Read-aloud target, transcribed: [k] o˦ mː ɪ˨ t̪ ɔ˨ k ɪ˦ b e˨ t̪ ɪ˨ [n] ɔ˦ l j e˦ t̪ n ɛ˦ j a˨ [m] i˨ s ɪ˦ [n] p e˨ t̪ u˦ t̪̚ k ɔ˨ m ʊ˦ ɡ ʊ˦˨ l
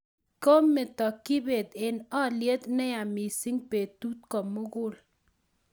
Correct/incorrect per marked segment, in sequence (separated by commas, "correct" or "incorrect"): correct, correct, correct, incorrect